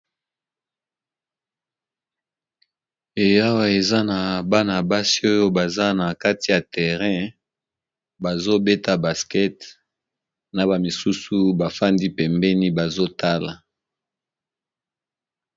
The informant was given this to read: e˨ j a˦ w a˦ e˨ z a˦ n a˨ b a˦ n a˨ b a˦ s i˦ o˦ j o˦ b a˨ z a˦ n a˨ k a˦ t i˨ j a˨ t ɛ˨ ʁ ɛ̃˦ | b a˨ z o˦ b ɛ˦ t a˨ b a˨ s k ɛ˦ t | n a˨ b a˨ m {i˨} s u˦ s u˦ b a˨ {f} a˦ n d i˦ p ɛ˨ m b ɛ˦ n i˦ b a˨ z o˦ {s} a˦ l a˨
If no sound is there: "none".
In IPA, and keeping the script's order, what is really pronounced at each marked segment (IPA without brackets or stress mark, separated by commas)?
i˨, f, t